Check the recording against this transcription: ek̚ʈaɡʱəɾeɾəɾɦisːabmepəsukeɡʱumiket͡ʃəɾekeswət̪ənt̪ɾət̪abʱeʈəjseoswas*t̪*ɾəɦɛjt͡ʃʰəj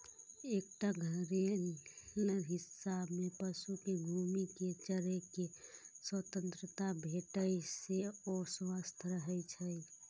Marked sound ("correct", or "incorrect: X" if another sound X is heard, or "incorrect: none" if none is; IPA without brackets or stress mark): incorrect: t̪ʰ